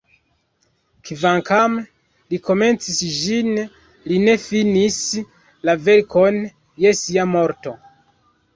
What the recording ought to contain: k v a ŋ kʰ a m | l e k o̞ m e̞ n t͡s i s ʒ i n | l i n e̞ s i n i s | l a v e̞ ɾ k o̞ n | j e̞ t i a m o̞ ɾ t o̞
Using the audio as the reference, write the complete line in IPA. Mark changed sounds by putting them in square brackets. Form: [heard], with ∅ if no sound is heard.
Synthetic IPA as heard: k v a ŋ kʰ a m | l [i] k o̞ m e̞ n t͡s i s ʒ i n | l i n e̞ [f] i n i s | l a v e̞ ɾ k o̞ n | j e̞ [s] i a m o̞ ɾ t o̞